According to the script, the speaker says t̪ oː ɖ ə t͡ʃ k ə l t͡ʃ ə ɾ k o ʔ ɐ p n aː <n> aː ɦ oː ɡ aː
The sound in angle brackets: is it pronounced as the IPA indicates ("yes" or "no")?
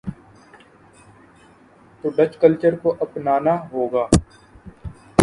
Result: yes